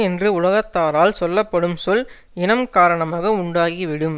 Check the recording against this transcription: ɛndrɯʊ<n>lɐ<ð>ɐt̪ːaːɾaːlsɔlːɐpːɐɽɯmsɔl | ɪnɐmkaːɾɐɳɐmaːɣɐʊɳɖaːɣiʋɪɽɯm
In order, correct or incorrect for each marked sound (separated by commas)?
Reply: incorrect, incorrect